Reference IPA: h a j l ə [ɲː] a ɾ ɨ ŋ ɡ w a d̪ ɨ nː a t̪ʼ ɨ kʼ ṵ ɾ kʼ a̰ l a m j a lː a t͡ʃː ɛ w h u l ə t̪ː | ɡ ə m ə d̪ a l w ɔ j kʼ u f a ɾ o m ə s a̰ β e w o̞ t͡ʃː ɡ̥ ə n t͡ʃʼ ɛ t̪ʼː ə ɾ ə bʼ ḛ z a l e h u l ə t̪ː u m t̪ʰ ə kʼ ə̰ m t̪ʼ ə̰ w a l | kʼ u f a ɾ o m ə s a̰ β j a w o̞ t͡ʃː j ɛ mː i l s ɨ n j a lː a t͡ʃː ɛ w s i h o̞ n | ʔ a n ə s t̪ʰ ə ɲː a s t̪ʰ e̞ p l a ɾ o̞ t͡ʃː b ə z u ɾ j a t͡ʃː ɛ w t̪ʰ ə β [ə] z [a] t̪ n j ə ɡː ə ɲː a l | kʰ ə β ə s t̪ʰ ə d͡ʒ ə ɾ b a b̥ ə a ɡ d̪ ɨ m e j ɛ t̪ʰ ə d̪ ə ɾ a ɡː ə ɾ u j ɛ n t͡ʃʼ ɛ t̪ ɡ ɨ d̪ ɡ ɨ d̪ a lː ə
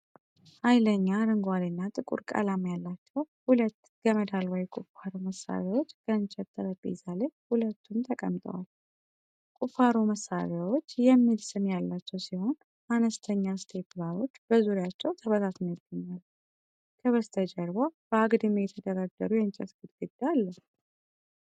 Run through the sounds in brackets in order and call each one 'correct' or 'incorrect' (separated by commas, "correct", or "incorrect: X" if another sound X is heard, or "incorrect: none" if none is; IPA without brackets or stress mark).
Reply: correct, correct, correct